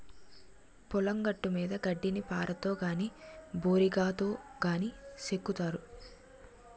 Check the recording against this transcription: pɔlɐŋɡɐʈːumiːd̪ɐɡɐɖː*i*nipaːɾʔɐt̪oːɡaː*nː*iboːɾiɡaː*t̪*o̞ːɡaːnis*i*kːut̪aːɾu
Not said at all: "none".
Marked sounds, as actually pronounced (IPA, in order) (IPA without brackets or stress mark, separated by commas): i, n, t̪, e